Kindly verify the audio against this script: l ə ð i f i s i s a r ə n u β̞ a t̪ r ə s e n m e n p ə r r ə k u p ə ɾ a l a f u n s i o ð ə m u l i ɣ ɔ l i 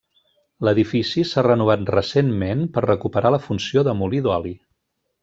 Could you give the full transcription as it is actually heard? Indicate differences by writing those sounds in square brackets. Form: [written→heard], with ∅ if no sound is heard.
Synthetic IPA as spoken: l ə ð i f i s i s a r ə n u β̞ a t̪ r ə s e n m e n p ə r r ə k u p ə ɾ a l [a→ə] f u n s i o ð ə m u l i [ɣ→ð] ɔ l i

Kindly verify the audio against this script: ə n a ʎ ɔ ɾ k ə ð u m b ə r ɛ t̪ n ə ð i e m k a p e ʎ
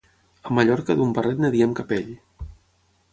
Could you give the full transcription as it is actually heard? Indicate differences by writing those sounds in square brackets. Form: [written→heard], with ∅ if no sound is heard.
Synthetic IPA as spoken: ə [n→m] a ʎ ɔ ɾ k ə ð u m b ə r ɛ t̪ n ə ð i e m k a p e ʎ

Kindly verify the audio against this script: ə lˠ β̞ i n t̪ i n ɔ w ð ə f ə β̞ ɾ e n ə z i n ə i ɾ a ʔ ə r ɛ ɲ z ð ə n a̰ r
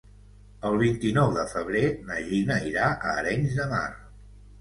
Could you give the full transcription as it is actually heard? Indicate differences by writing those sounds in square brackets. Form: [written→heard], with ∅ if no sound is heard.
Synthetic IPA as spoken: ə lˠ β̞ i n t̪ i n ɔ w ð ə f ə β̞ ɾ e n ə [z→ʒ] i n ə i ɾ a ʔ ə [r→ɾ] ɛ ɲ z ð ə [n→m] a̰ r

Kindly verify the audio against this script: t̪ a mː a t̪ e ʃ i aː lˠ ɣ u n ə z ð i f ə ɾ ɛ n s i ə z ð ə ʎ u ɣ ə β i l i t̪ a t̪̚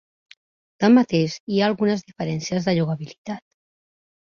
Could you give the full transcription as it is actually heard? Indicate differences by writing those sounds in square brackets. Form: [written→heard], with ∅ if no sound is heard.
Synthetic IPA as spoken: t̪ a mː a t̪ e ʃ i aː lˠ ɣ u n ə z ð i f ə ɾ ɛ n s i ə z ð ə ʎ u ɣ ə β i l i t̪ a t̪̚

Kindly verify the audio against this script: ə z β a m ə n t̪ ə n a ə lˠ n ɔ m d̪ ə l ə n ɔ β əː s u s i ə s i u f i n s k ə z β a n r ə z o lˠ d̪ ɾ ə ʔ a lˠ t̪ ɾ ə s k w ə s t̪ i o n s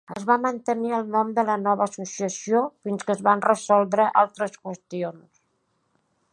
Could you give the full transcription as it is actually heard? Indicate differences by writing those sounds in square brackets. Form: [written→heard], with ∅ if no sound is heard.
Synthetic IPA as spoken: ə z β a m ə n t̪ ə n [a→i] ə lˠ n ɔ m d̪ ə l ə n ɔ β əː s u s i ə s i [u→o] f i n s k ə z β a n r ə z [o→ɔ] lˠ d̪ ɾ ə ʔ a lˠ t̪ ɾ ə s k w ə s t̪ i o n s

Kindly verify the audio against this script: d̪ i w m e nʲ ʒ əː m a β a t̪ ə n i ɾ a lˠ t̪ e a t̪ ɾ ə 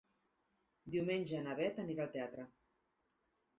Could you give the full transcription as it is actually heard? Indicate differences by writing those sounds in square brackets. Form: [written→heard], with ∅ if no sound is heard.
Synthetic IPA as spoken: d̪ i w m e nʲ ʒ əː [m→n] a β [a→ɛ] t̪ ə n i ɾ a lˠ t̪ e a t̪ ɾ ə

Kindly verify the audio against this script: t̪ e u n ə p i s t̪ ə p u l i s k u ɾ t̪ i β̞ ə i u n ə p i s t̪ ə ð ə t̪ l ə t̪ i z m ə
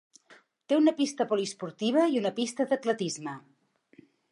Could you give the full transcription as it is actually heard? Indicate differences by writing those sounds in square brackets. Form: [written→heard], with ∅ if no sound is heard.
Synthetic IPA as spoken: t̪ e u n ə p i s t̪ ə p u l i s [k→p] u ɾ t̪ i β̞ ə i u n ə p i s t̪ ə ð ə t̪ l ə t̪ i z m ə

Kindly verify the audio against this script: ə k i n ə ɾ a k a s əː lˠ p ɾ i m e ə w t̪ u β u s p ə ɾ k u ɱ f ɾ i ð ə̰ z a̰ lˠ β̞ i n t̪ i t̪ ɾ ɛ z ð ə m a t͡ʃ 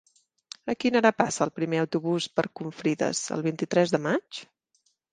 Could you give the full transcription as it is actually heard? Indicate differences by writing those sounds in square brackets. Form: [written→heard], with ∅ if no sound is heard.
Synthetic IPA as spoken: ə k i n ə ɾ a [k→p] a s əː lˠ p ɾ i m e ə w t̪ u β u s p ə ɾ k u ɱ f ɾ i ð ə̰ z [a̰→ə̰] lˠ β̞ i n t̪ i t̪ ɾ ɛ z ð ə m a t͡ʃ

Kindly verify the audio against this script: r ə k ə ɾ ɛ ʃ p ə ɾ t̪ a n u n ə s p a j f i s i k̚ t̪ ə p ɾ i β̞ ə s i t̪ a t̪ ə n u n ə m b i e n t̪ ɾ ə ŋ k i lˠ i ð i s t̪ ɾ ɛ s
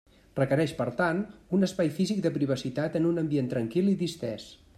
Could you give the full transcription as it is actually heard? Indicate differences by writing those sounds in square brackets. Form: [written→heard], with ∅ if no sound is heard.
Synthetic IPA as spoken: r ə k ə ɾ ɛ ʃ p ə ɾ t̪ a n u n ə s p a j f i [s→z] i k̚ [t̪→d̪] ə p ɾ i β̞ ə s i t̪ a t̪ ə n u n ə m b i e n t̪ ɾ ə ŋ k i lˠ i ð i s t̪ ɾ ɛ s

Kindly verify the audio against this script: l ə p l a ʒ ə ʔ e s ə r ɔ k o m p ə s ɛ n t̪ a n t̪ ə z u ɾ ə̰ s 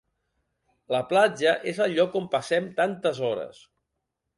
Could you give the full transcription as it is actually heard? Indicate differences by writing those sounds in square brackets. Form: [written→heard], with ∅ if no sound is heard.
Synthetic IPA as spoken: l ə p l a [ʒ→d͡ʒ] ə ʔ e [s→z] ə [r→ʎ] ɔ k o m p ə s ɛ [n→m] t̪ a n t̪ ə z [u→ɔ] ɾ ə̰ s

